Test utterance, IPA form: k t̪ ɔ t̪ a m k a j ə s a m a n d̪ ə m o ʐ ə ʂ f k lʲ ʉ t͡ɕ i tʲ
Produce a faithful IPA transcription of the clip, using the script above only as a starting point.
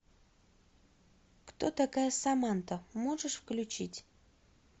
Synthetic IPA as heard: k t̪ o t̪ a k a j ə s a m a n t̪ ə m o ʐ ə ʂ f k lʲ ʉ t͡ɕ i tʲ